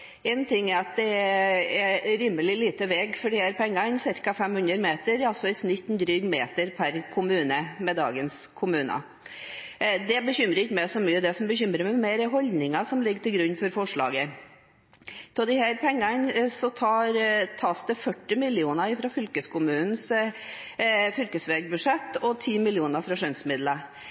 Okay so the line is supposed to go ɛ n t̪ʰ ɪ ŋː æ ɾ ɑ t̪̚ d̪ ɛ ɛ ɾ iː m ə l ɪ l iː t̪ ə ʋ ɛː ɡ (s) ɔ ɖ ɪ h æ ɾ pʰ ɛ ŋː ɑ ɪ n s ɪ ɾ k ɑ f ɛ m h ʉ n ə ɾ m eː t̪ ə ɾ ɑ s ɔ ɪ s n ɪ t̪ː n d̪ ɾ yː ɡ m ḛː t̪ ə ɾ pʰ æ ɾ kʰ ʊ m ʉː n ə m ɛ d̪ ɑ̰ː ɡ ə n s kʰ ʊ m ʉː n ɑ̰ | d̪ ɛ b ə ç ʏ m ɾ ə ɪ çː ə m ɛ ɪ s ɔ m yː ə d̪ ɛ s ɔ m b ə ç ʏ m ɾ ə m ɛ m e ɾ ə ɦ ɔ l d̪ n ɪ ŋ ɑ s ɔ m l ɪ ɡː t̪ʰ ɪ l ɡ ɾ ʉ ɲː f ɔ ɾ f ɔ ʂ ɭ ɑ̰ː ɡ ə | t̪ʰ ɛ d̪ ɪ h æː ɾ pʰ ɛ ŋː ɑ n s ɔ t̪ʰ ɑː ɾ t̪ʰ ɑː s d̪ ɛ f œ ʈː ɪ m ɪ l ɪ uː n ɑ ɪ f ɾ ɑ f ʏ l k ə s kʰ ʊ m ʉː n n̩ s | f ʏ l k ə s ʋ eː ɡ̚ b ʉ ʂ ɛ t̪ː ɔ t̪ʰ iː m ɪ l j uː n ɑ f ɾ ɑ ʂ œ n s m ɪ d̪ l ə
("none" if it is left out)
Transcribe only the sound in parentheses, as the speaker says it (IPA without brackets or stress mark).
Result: f